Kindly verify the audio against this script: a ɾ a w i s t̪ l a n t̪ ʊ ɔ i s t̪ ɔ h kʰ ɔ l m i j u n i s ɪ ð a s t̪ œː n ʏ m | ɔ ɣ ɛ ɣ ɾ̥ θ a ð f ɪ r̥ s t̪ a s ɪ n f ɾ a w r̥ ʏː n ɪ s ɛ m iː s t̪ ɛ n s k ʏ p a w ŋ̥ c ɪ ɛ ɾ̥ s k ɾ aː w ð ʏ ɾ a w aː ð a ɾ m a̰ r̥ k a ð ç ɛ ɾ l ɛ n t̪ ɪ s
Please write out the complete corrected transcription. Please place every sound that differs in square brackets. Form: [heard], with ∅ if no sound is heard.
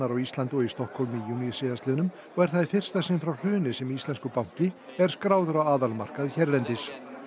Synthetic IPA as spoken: a ɾ a w i s t̪ l a n t̪ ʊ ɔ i s t̪ ɔ h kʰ ɔ l m i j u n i s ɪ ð a s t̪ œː n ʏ m | ɔ ɣ ɛ [∅] ɾ̥ θ a ð f ɪ r̥ s t̪ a s ɪ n f ɾ a w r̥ ʏː n ɪ s ɛ m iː s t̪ ɛ n s k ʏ p a w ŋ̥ c ɪ ɛ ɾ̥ s k ɾ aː w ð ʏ ɾ a w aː ð a [l] m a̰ r̥ k a ð ç ɛ ɾ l ɛ n t̪ ɪ s

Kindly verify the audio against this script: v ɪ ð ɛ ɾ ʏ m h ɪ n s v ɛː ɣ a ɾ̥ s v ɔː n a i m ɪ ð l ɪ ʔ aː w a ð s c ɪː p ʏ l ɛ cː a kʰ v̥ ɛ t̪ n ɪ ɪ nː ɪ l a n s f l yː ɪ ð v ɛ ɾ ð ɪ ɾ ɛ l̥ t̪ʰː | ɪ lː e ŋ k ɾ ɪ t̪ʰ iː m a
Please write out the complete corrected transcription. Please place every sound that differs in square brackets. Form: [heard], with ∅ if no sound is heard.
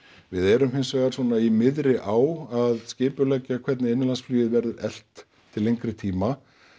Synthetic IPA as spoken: v ɪ ð ɛ ɾ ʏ m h ɪ n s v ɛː ɣ a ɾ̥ s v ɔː n a i m ɪ ð [ɾ] ɪ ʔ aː w a ð s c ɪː p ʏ l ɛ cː a kʰ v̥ ɛ t̪ n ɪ ɪ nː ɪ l a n s f l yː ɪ ð v ɛ ɾ ð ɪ ɾ ɛ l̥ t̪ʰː | ɪ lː e ŋ k ɾ ɪ t̪ʰ iː m a

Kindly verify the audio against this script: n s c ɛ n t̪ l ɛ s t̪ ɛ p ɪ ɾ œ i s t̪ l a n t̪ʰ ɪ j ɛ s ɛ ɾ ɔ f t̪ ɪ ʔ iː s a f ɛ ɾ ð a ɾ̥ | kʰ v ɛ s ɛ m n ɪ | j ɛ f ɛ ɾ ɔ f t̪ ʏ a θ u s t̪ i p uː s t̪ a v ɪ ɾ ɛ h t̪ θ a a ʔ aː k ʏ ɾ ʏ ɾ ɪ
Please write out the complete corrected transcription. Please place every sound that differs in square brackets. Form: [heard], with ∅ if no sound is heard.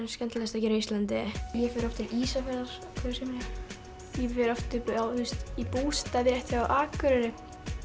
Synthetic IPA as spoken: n s c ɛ n t̪ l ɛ s t̪ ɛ [c] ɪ ɾ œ i s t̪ l a n [t̪] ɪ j ɛ [f] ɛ ɾ ɔ f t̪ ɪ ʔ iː s a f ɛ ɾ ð a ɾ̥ | kʰ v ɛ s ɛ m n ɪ | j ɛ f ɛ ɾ ɔ f t̪ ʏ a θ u s t̪ i p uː s t̪ a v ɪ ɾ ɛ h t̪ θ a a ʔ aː k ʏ ɾ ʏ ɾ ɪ

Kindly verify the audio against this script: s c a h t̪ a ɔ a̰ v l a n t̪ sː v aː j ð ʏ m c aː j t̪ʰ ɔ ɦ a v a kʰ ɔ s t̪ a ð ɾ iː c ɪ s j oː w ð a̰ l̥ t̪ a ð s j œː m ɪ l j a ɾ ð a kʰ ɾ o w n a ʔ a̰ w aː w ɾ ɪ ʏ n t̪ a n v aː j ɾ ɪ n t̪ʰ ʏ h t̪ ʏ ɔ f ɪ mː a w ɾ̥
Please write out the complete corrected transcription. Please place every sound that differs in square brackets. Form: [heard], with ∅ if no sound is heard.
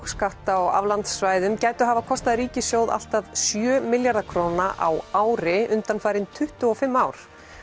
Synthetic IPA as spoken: s [k] a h t̪ a ɔ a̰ v l a n t̪ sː v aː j ð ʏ m c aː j [t̪] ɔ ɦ a v a kʰ ɔ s t̪ a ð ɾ iː c ɪ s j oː w ð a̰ l̥ t̪ a ð s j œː m ɪ l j a ɾ ð a kʰ ɾ o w n a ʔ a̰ w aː w ɾ ɪ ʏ n t̪ a n [f] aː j ɾ ɪ n t̪ʰ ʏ h t̪ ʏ ɔ f ɪ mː a w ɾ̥

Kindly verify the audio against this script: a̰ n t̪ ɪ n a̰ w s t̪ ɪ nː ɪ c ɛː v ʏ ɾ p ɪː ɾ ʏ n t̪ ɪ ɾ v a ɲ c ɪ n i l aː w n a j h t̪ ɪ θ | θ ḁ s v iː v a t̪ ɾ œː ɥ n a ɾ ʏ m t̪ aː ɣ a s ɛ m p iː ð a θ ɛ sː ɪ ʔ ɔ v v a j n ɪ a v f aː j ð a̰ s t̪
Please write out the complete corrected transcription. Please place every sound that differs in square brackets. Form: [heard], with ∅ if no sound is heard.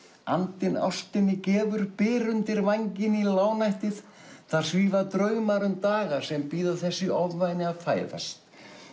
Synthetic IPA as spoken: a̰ n t̪ ɪ n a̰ w s t̪ ɪ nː ɪ c ɛː v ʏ ɾ p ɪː ɾ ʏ n t̪ ɪ ɾ v a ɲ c ɪ n i l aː w n a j h t̪ ɪ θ | θ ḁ s v iː v a t̪ ɾ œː ɥ [m] a ɾ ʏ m t̪ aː ɣ a s ɛ m p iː ð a θ ɛ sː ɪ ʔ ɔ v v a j n ɪ a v f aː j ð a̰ s t̪

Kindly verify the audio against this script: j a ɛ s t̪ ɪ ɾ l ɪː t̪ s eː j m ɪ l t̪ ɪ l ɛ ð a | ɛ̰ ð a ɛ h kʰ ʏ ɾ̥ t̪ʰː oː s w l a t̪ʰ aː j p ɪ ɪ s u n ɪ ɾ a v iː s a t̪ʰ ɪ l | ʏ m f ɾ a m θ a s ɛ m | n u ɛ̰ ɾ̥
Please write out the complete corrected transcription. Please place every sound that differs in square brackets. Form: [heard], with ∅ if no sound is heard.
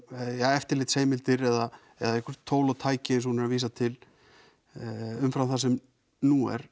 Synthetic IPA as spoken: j a ɛ [f] t̪ ɪ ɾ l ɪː t̪ s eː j m ɪ l t̪ ɪ [ɾ] ɛ ð a | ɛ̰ ð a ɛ h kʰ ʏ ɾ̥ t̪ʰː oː [∅] w l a t̪ʰ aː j [c] ɪ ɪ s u n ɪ ɾ a v iː s a t̪ʰ ɪ l | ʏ m f ɾ a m θ a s ɛ m | n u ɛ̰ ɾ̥

